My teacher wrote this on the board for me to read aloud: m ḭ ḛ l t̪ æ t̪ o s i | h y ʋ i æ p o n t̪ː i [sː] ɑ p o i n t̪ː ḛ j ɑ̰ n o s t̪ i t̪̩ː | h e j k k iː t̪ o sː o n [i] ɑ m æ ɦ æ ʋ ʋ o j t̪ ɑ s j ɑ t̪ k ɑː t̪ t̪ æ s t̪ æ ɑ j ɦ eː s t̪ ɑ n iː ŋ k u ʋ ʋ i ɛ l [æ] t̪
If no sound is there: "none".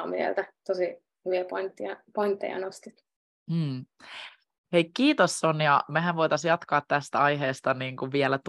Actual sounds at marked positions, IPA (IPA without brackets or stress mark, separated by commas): none, j, æ